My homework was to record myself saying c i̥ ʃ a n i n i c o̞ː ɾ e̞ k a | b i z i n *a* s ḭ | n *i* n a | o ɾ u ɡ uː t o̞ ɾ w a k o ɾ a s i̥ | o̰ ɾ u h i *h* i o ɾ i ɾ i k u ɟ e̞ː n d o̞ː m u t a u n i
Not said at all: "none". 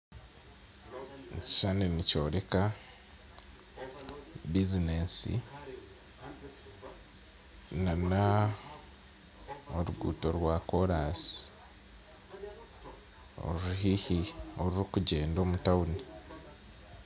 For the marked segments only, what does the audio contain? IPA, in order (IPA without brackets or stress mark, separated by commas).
e, a, h